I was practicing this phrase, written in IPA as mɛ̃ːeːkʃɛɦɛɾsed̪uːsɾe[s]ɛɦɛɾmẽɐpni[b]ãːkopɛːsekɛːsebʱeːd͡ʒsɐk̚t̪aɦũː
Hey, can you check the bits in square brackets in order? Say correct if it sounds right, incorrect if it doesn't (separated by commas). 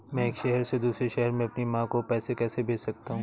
incorrect, incorrect